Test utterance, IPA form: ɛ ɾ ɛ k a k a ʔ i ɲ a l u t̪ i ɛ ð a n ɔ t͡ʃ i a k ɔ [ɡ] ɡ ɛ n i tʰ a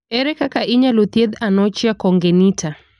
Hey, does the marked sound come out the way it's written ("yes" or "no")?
no